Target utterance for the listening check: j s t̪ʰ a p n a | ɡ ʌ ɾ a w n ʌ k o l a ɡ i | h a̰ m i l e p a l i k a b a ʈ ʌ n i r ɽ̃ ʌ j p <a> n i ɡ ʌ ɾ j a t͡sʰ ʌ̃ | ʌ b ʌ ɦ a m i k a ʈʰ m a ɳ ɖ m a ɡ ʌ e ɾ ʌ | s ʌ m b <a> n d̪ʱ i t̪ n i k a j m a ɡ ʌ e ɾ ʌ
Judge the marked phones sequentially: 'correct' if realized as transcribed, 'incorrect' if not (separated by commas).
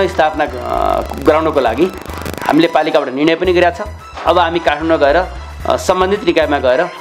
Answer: incorrect, incorrect